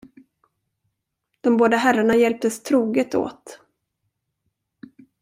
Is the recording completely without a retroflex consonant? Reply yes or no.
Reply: no